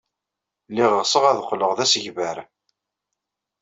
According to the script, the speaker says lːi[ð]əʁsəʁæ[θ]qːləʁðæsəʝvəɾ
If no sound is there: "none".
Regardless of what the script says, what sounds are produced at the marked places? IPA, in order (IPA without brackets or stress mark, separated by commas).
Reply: ʁ, ð